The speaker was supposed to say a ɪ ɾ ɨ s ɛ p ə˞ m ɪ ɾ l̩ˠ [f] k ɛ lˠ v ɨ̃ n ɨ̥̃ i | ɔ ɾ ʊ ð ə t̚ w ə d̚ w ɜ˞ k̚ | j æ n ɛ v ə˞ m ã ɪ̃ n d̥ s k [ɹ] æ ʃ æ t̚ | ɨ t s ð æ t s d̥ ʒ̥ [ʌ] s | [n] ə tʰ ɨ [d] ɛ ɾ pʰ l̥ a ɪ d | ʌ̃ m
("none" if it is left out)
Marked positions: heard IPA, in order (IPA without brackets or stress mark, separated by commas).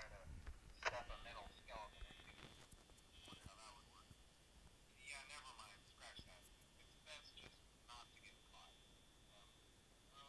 s, ɹ, ʌ, n, ɡ